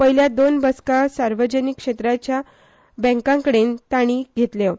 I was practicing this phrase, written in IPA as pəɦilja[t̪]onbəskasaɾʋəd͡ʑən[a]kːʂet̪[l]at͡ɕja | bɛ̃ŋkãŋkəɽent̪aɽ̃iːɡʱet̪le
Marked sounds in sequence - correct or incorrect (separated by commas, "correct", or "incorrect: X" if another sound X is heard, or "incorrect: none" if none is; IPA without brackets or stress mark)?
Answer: incorrect: d̪, incorrect: i, incorrect: ɾ